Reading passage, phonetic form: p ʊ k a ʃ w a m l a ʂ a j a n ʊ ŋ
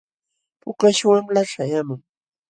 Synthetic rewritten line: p ʊ k a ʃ w a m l a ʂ a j a m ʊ ŋ

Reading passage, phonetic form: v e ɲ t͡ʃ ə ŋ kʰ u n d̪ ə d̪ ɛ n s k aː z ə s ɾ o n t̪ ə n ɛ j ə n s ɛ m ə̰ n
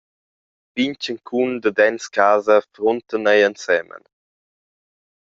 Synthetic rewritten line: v i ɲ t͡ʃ ə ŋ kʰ u n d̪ ə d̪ ɛ n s k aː z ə f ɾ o n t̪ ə n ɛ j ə n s ɛ m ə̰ n

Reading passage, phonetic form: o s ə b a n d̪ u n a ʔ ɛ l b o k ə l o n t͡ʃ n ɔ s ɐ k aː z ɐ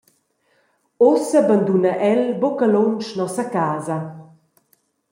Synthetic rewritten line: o s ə b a n d̪ u n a ʔ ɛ l b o k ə l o n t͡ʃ n ɔ s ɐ k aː z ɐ

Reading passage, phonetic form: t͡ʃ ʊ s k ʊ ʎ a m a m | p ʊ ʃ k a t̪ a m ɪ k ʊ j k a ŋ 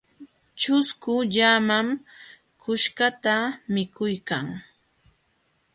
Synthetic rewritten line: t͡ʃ ʊ s k ʊ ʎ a m a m | k ʊ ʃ k a t̪ a m ɪ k ʊ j k a ŋ

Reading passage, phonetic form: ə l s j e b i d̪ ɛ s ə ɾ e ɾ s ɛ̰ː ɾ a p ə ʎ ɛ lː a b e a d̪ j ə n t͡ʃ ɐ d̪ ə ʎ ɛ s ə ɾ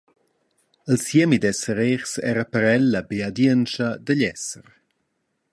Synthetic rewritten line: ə l s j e m i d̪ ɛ s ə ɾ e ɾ s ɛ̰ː ɾ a p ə ɾ ɛ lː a b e a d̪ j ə n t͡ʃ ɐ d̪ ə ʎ ɛ s ə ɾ

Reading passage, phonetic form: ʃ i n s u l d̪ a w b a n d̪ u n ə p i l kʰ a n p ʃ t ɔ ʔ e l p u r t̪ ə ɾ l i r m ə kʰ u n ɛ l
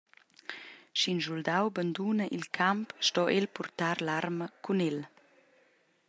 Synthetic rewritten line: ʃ i n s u l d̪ a w b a n d̪ u n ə ʔ i l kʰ a m p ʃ t ɔ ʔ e l p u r t̪ a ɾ l a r m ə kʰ u n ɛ l

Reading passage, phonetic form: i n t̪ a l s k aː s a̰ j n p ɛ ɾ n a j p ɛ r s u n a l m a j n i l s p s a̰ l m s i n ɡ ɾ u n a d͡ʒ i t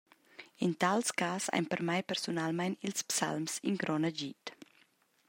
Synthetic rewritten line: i n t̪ a l s k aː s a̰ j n p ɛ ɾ m a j p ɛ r s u n a l m a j n i l s p s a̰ l m s i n ɡ ɾ ɔ n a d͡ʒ i t

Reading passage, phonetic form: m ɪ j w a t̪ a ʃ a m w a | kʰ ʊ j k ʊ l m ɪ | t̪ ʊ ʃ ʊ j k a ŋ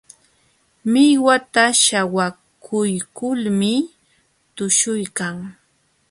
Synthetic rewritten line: m ɪ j w a t̪ a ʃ a w a | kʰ ʊ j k ʊ l m ɪ | t̪ ʊ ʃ ʊ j k a ŋ

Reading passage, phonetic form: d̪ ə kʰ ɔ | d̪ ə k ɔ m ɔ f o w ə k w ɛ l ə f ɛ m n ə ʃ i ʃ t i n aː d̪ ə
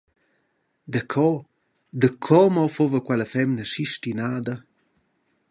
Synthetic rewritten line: d̪ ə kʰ ɔ | d̪ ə kʰ ɔ m ɔ f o v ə k w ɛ l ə f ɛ m n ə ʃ i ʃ t i n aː d̪ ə

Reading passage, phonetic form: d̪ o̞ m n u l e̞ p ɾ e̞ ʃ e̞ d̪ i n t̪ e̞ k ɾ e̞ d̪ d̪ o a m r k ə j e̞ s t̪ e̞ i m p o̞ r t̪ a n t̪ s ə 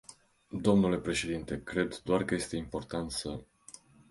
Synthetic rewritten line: d̪ o̞ m n u l e̞ p ɾ e̞ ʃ e̞ d̪ i n t̪ e̞ k ɾ e̞ d̪ d̪ o a r k ə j e̞ s t̪ e̞ i m p o̞ r t̪ a n t̪ s ə

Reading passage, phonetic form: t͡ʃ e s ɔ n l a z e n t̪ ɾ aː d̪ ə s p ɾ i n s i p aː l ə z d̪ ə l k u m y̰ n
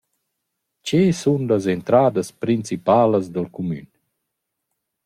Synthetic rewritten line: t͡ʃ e s u n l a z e n t̪ ɾ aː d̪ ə s p ɾ i n t͡s i p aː l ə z d̪ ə l k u m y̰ n

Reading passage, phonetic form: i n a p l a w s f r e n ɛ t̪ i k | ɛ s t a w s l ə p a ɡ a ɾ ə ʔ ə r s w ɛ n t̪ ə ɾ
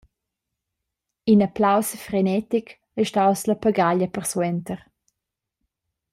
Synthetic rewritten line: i n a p l a w s f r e n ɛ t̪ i k | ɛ ʃ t a w s l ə p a ɡ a ʎ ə p ə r s w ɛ n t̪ ə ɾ

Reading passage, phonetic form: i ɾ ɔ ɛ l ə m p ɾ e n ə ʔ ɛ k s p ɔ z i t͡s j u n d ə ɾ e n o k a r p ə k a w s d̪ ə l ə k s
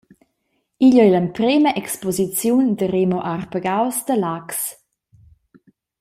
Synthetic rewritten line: i ʎ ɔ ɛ l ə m p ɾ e m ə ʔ ɛ k s p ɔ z i t͡s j u n d ə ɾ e m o ʔ a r p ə ɡ a w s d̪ ə l a k s

